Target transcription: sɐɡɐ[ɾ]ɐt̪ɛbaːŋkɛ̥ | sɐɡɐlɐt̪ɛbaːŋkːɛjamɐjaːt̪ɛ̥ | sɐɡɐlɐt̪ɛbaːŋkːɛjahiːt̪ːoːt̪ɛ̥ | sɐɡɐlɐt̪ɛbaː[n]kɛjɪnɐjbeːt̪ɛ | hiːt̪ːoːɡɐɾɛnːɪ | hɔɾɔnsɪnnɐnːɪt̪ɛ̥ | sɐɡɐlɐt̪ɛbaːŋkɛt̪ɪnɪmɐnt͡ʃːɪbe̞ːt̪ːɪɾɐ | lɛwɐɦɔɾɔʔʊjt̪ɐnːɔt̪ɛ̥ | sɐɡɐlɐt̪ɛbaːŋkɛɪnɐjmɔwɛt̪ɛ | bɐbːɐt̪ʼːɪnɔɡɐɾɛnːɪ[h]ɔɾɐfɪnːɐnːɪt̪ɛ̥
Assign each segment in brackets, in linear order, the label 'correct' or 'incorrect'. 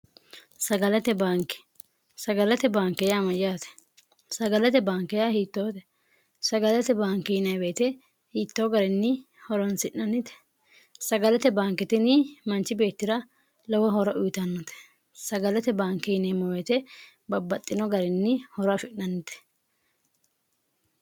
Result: incorrect: l, incorrect: ŋ, correct

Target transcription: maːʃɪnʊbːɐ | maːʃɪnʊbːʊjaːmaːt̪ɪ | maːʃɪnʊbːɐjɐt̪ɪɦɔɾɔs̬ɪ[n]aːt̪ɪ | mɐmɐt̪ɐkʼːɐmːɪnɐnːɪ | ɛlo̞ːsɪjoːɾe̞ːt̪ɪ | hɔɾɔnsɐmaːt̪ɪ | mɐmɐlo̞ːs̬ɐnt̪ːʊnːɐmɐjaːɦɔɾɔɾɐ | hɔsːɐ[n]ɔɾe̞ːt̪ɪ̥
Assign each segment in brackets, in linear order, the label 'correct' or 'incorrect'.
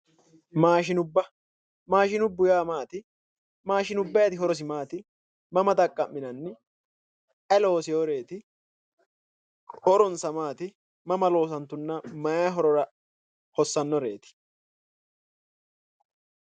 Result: incorrect: m, incorrect: nː

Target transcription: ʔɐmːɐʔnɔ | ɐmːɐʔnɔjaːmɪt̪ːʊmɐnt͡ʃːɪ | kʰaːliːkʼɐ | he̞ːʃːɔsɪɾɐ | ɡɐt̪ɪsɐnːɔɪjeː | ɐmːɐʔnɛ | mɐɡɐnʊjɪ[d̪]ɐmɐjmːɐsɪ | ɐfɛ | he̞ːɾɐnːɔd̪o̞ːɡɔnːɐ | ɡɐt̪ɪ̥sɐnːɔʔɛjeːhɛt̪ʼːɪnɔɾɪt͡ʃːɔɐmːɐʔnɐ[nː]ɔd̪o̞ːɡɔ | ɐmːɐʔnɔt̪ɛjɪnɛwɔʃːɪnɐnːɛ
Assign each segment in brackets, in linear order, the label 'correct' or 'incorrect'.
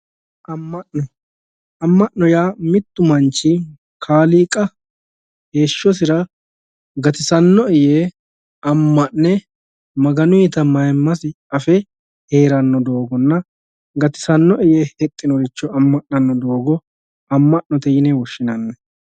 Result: incorrect: t̪, correct

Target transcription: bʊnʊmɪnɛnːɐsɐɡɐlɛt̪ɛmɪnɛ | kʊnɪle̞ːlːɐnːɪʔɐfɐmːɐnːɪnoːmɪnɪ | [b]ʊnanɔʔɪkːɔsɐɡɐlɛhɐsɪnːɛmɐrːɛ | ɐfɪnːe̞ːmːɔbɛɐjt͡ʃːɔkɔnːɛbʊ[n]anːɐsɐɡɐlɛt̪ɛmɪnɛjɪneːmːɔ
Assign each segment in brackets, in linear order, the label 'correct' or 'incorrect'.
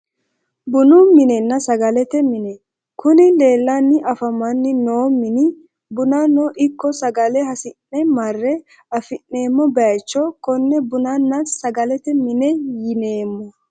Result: correct, correct

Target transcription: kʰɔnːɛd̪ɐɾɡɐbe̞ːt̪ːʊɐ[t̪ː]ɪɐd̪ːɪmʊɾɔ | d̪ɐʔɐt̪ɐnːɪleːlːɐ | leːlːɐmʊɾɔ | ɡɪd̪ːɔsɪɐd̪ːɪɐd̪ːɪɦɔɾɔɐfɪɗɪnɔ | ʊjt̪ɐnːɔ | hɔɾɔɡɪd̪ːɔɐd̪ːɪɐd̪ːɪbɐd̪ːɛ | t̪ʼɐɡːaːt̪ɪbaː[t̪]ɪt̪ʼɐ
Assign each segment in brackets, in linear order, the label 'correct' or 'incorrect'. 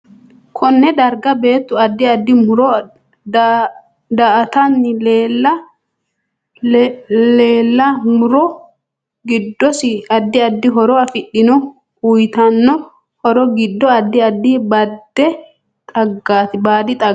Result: incorrect: d̪ː, incorrect: d̪

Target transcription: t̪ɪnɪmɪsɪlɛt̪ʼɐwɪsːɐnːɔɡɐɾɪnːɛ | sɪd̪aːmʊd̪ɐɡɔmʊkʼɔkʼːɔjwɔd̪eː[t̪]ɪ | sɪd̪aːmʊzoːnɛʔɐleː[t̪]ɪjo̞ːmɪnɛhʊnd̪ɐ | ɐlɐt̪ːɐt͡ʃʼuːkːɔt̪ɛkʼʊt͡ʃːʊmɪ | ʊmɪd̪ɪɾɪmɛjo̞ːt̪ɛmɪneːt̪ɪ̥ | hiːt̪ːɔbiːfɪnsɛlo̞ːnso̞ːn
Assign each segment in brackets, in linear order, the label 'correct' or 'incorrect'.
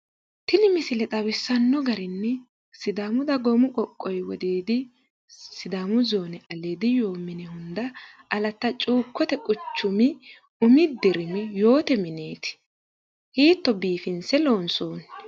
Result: incorrect: d̪, incorrect: d̪

